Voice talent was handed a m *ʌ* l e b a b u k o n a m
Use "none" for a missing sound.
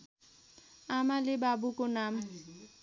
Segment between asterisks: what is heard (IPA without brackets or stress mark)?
a